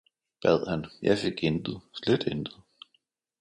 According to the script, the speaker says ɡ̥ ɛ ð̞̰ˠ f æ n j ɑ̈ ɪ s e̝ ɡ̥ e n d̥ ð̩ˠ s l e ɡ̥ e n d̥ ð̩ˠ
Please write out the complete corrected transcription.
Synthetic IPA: b̥ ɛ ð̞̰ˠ h æ n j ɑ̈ ɪ f e̝ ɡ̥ e n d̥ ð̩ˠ s l e d̥ e n d̥ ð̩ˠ